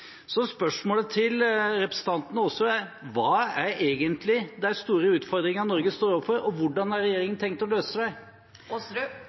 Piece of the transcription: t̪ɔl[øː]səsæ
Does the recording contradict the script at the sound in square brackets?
no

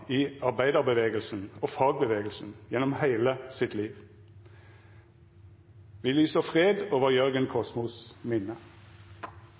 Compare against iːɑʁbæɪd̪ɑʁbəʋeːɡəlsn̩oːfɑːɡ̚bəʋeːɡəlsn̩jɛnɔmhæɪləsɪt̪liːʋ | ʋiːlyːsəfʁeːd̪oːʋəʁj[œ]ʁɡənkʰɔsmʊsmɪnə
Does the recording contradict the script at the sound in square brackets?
no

